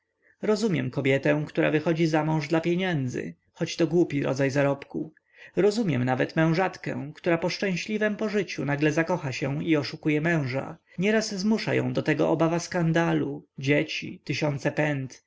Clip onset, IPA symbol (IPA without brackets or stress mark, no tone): ɾ